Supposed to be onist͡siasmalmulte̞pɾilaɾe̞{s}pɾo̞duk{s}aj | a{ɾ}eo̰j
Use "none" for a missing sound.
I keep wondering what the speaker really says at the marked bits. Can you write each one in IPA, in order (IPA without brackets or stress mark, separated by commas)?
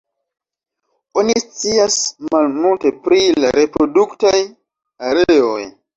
none, t, ɾ